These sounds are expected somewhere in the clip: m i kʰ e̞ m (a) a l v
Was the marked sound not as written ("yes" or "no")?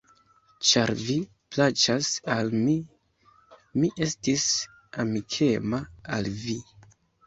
no